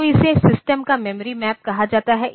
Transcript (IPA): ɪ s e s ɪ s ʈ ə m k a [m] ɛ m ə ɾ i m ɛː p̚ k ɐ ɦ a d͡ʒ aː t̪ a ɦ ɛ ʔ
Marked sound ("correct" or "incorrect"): correct